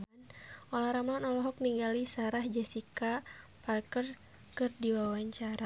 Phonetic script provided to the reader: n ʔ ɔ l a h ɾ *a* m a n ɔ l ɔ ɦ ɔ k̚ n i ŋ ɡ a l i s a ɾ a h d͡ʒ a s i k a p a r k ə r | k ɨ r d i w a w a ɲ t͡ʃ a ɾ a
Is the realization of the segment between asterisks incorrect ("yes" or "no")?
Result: no